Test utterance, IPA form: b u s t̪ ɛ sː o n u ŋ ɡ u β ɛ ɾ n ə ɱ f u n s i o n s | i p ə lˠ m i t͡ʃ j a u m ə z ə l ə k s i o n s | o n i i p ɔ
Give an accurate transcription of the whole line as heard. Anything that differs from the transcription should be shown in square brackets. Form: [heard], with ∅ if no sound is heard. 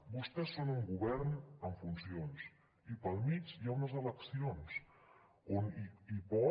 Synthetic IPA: b u s t̪ ɛ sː o n u ŋ ɡ u β ɛ ɾ n ə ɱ f u n s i o n s | i p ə lˠ m i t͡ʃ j a u [n] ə z ə l ə k s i o n s | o n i i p ɔ